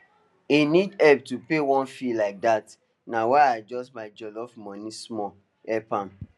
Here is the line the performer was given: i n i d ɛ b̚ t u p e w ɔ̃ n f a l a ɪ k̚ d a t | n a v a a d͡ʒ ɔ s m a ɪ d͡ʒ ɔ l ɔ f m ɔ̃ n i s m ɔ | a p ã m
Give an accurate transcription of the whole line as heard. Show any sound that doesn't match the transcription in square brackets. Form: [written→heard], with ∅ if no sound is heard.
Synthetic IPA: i n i d ɛ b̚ t u p e w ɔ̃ n f [a→i] l a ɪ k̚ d a t | n a [v→w] a a d͡ʒ ɔ s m a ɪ d͡ʒ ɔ l ɔ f m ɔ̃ n i s m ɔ | [a→ɛ] p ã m